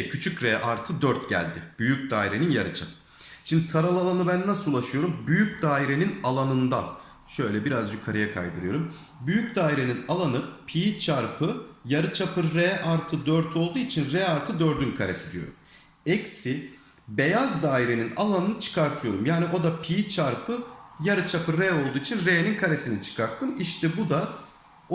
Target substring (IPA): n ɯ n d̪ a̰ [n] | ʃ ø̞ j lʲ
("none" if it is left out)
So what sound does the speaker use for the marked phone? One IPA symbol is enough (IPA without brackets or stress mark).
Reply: n